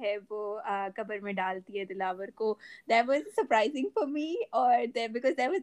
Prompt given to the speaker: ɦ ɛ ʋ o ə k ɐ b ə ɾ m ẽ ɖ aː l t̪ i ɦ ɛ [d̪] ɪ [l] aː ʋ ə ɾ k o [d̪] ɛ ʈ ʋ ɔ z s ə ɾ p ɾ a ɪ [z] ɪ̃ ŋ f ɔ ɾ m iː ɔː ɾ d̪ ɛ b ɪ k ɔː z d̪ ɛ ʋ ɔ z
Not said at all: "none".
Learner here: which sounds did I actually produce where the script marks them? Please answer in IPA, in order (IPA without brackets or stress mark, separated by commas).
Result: d̪, l, d̪, z